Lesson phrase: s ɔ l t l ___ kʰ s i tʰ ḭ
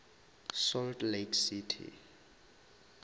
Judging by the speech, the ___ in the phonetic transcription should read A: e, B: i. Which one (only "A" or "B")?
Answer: A